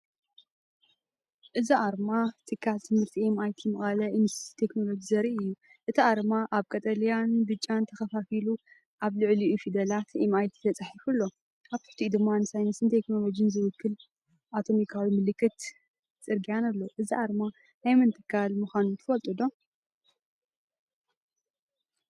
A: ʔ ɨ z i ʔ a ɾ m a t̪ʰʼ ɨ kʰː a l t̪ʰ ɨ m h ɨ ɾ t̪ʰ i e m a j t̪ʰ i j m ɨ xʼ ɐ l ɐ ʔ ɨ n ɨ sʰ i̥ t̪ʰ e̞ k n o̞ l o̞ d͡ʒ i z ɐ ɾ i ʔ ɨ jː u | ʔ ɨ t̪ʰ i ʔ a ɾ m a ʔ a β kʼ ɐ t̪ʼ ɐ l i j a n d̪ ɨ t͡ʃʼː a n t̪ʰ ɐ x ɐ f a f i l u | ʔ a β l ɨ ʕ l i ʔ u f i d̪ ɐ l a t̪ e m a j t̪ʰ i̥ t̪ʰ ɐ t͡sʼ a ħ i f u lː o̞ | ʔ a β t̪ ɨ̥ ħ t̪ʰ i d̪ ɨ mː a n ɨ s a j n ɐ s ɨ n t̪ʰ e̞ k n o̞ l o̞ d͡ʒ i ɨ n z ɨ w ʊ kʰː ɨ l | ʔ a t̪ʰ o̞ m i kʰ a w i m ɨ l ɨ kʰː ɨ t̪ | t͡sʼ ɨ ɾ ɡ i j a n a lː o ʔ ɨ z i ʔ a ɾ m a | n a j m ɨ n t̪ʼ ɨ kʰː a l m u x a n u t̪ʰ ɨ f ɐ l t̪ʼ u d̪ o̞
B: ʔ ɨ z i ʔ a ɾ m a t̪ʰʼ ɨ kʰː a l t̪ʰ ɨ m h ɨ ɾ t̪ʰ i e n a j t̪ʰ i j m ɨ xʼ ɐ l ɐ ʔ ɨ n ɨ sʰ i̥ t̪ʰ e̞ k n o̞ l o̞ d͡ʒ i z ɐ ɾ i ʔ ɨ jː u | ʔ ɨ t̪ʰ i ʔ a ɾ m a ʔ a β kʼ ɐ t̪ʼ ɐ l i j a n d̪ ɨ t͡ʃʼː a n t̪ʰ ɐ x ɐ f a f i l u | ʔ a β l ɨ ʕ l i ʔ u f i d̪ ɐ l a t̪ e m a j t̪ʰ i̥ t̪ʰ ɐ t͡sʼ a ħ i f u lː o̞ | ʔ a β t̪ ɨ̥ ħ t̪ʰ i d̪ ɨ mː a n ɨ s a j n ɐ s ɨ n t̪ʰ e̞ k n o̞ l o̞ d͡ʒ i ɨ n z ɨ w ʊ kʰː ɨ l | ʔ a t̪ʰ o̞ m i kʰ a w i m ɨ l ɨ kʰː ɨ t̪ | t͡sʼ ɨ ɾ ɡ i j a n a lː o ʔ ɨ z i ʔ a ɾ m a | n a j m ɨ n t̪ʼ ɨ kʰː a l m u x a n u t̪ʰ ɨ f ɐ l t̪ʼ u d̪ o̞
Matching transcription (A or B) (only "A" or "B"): A